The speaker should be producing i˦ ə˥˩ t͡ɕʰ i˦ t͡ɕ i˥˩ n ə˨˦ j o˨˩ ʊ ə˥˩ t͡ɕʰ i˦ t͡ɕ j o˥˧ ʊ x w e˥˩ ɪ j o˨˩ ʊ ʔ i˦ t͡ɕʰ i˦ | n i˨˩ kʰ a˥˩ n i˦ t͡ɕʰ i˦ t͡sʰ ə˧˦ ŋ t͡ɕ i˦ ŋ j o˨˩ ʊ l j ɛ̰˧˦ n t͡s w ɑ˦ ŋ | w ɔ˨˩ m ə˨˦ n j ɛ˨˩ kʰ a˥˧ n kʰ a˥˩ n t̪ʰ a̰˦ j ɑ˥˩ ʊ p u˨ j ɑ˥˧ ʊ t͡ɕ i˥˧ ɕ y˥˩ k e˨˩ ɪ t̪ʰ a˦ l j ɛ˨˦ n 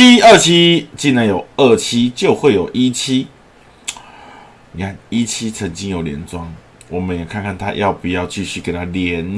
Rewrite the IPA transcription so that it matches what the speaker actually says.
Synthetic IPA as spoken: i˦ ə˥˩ t͡ɕʰ i˦ t͡ɕ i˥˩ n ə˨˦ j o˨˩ ʊ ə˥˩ t͡ɕʰ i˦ t͡ɕ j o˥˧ ʊ x w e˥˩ ɪ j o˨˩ ʊ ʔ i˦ t͡ɕʰ i˦ | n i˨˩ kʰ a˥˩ n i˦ t͡ɕʰ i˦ t͡sʰ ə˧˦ ŋ t͡ɕ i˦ ŋ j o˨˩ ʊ l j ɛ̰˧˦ n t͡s w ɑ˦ ŋ | w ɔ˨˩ m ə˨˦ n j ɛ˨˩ kʰ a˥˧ n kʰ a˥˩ n t̪ʰ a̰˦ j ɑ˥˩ ʊ p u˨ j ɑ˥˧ ʊ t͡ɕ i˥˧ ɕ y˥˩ k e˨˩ ɪ t̪ʰ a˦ l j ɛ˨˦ n

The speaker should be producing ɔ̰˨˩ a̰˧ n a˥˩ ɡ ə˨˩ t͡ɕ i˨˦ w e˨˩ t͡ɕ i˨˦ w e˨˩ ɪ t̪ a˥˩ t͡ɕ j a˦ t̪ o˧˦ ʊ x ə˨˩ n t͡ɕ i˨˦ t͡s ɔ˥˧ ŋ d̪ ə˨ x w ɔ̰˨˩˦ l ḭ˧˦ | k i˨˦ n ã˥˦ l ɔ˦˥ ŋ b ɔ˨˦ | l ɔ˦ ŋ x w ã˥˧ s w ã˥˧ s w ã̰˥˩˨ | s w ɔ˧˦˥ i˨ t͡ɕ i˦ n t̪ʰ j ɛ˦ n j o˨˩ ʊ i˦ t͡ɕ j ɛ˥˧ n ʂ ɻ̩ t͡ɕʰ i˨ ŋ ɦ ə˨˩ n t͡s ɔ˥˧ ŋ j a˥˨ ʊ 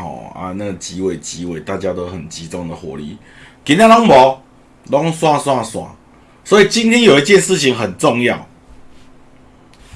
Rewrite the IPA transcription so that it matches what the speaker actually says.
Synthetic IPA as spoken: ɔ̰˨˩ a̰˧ n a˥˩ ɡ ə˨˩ t͡ɕ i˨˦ w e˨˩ t͡ɕ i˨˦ w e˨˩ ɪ t̪ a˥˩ t͡ɕ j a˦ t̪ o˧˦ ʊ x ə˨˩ n t͡ɕ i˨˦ t͡s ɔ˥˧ ŋ d̪ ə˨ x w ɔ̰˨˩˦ l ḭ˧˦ | k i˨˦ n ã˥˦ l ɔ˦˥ ŋ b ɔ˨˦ | l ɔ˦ ŋ s w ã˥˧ s w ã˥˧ s w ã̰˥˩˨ | s w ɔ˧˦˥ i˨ t͡ɕ i˦ n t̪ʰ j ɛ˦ n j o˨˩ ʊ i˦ t͡ɕ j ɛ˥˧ n ʂ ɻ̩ t͡ɕʰ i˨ ŋ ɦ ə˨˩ n t͡s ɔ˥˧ ŋ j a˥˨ ʊ

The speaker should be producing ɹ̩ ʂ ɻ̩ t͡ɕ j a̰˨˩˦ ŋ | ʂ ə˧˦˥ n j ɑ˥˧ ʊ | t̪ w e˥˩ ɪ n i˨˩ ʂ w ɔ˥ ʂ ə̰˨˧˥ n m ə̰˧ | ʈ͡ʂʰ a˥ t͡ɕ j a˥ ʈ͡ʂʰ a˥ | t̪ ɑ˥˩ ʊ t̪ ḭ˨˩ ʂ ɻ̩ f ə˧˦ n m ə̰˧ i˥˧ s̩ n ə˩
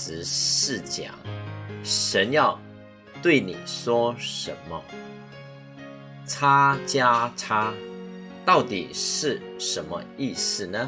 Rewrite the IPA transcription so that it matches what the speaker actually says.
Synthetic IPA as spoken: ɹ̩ ʂ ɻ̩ t͡ɕ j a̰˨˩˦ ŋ | ʂ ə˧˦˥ n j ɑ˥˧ ʊ | t̪ w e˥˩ ɪ n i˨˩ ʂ w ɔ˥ ʂ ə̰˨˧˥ n m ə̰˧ | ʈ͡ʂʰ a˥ t͡ɕ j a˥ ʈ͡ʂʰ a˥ | t̪ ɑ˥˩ ʊ t̪ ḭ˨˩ ʂ ɻ̩ ʂ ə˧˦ n m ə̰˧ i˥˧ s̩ n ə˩

